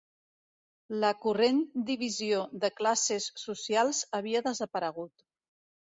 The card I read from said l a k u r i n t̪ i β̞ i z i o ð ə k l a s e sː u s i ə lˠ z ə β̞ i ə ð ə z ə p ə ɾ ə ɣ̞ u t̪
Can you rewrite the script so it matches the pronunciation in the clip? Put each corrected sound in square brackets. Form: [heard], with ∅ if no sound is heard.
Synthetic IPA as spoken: l [ə] k u r [e] n [d̪] i β̞ i z i o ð ə k l a s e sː u s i [a] lˠ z ə β̞ i ə ð ə z ə p ə ɾ ə ɣ̞ u t̪